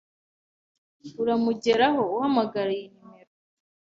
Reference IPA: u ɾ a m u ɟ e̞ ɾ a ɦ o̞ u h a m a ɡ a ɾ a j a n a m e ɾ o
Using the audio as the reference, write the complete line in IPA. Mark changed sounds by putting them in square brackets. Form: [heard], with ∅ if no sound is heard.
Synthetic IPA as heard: u ɾ a m u ɟ e̞ ɾ a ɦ o̞ u h a m a ɡ a ɾ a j [i] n [i] m e ɾ o